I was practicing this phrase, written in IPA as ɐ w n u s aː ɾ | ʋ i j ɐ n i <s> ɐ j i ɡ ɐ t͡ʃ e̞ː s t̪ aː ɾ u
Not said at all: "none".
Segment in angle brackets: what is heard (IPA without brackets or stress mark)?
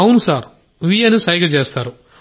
s